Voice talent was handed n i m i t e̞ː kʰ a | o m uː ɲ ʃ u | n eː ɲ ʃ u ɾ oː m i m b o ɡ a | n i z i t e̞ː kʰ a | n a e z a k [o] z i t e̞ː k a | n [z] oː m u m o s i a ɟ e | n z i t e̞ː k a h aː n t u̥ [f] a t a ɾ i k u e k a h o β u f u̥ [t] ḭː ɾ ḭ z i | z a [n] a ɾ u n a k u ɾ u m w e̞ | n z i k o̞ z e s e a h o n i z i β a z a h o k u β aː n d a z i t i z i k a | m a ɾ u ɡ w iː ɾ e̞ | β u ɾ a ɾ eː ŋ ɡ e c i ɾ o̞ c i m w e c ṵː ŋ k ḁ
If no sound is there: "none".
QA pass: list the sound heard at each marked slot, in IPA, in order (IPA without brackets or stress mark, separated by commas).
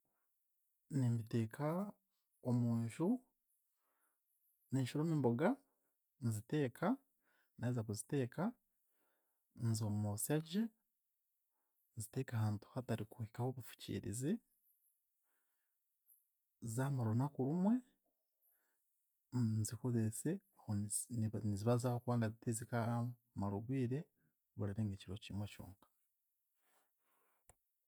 u, z, h, c, m